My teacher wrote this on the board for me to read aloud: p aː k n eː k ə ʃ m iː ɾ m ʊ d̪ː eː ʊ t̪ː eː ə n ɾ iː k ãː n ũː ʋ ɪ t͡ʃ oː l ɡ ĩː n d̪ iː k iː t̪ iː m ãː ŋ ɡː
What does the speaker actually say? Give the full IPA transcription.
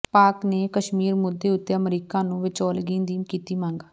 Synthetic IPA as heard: p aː k n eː k ə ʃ m iː ɾ m ʊ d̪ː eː ʊ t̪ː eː ə m ɾ iː k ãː n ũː ʋ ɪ t͡ʃ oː l ɡ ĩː n d̪ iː k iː t̪ iː m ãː ŋ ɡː